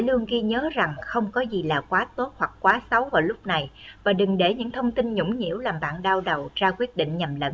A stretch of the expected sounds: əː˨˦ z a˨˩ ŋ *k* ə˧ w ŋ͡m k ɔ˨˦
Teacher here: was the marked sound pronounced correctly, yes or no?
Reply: no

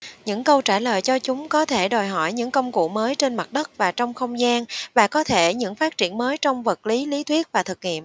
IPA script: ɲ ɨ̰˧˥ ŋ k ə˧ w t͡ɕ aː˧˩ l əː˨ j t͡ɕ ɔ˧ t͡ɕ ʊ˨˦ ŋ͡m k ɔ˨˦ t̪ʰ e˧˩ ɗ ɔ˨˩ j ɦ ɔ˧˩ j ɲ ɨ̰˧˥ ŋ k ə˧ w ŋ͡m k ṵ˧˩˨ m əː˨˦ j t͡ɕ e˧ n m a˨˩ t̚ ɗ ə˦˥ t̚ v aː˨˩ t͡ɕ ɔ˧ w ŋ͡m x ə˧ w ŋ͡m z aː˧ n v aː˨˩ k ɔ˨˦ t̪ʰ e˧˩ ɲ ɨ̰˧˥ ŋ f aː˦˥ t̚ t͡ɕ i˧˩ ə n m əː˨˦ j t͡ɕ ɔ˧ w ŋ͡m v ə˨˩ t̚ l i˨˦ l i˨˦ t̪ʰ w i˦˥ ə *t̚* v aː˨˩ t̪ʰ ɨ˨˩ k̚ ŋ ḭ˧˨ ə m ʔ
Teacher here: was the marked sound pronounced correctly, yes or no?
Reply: yes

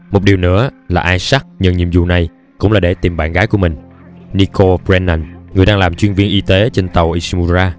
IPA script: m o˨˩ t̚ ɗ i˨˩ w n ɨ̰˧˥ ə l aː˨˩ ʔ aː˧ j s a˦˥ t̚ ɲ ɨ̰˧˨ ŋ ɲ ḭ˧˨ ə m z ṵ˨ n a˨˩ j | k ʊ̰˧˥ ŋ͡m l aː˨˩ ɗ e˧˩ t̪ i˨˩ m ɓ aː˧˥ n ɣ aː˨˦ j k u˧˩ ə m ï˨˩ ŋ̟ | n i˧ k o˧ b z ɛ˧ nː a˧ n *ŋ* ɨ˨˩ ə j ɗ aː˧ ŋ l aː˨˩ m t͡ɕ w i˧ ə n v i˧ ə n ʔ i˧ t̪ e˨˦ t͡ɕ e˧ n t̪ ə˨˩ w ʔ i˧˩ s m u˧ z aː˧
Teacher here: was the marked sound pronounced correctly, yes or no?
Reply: yes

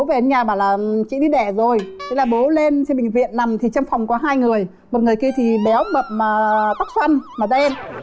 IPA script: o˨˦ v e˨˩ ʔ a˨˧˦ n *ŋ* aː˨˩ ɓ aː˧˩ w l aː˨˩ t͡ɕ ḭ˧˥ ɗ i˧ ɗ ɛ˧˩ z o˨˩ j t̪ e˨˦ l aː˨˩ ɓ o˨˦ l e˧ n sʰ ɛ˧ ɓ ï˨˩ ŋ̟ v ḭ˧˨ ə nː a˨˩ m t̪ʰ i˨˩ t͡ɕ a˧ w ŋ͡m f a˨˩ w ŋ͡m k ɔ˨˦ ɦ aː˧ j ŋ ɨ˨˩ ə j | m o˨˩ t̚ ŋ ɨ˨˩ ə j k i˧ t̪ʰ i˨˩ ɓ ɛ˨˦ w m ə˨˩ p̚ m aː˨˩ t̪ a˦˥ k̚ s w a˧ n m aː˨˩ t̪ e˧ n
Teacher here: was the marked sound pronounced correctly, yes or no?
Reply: no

